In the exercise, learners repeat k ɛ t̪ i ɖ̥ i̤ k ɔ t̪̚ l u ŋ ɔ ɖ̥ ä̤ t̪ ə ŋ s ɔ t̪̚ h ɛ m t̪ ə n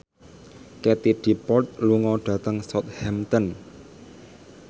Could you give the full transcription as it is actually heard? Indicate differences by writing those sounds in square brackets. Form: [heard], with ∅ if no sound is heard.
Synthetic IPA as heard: k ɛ t̪ i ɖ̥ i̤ [p] ɔ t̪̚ l u ŋ ɔ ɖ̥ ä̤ t̪ ə ŋ s ɔ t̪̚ h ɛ m t̪ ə n